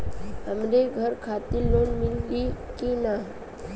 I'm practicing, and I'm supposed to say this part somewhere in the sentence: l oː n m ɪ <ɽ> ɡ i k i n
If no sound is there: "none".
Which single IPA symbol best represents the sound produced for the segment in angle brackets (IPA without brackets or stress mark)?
l